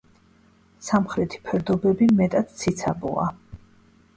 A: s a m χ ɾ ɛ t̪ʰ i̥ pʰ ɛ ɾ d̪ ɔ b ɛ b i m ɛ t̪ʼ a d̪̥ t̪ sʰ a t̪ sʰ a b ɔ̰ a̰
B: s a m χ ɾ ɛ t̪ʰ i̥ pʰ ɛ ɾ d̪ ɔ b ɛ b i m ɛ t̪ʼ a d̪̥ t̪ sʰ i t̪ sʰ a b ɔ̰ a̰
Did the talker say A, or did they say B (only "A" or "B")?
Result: B